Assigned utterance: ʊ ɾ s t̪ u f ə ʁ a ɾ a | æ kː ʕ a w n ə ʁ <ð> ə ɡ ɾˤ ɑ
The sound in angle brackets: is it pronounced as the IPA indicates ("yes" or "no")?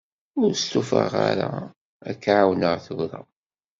no